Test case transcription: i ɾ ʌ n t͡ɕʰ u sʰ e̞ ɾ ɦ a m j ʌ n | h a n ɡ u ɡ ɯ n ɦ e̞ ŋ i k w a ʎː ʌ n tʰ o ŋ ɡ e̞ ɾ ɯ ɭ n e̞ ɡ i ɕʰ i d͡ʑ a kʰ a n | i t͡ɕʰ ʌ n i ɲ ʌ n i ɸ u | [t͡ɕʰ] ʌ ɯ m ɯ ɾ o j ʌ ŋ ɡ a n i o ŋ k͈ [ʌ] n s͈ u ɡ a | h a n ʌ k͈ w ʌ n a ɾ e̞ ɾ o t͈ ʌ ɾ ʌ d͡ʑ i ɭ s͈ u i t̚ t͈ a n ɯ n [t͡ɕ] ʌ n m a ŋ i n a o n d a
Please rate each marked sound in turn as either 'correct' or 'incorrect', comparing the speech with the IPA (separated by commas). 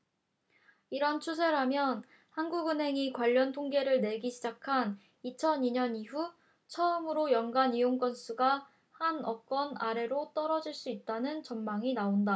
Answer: correct, correct, correct